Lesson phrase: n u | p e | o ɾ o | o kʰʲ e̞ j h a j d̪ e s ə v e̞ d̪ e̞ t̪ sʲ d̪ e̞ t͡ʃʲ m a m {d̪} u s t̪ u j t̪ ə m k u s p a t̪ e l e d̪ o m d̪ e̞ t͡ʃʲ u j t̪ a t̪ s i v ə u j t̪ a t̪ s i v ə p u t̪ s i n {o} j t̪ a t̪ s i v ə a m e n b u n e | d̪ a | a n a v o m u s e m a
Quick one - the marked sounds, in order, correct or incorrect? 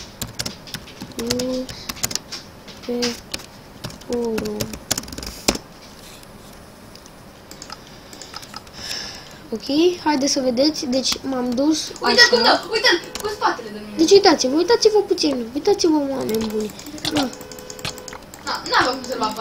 correct, incorrect: u

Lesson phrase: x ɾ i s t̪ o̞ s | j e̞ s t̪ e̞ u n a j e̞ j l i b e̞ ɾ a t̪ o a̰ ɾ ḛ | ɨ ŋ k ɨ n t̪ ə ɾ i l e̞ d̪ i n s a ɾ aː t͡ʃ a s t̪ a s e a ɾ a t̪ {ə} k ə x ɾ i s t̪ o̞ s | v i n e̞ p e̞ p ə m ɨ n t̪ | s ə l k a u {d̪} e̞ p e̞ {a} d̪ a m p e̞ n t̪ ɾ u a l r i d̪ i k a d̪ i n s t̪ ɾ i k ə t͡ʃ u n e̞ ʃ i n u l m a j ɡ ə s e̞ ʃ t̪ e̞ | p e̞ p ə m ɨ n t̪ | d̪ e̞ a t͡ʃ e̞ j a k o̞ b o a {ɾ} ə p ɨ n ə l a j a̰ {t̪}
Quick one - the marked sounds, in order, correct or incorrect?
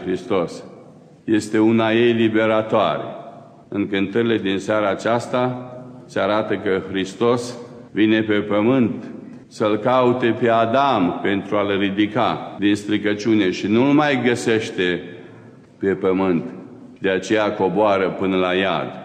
correct, incorrect: t̪, correct, correct, incorrect: d̪

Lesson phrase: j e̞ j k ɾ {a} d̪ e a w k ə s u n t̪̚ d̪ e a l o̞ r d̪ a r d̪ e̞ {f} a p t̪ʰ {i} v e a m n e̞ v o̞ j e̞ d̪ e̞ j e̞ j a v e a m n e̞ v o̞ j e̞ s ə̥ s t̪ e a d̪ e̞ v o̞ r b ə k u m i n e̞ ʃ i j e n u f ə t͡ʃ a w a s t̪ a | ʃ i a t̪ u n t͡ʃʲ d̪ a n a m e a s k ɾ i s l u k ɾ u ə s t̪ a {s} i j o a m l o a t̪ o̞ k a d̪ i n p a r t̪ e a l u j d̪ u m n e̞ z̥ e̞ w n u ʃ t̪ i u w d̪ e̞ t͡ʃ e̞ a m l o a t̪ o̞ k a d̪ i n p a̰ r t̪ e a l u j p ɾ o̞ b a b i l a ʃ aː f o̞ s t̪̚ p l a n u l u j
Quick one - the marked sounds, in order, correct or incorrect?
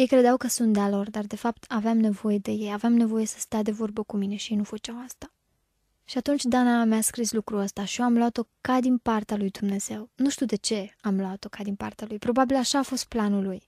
incorrect: e, correct, incorrect: a, incorrect: ʃ

